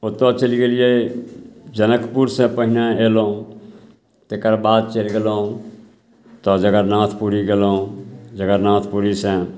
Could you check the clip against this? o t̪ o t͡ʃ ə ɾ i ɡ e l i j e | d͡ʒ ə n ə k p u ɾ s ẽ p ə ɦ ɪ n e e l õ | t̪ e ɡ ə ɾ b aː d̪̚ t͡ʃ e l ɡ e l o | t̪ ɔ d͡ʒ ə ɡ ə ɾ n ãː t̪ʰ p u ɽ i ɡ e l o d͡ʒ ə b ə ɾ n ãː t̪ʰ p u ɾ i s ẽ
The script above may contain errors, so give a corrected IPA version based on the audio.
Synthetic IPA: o t̪ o t͡ʃ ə l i ɡ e l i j e | d͡ʒ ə n ə k p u ɾ s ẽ p ə ɦ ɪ n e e l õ | t̪ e k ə ɾ b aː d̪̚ t͡ʃ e l ɡ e l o | t̪ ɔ d͡ʒ ə ɡ ə ɾ n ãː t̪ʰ p u ɾ i ɡ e l o d͡ʒ ə ɡ ə ɾ n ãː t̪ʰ p u ɾ i s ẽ